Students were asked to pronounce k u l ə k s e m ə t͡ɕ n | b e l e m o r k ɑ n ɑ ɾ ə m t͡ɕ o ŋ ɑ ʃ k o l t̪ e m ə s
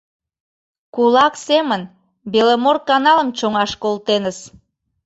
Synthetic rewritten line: k u l ɑ k s e m ə n | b e l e m o r k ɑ n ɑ l ə m t͡ɕ o ŋ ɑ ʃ k o l t̪ e n ə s